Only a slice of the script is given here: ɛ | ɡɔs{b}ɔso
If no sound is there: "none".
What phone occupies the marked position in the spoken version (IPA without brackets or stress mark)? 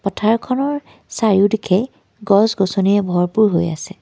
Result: ɡ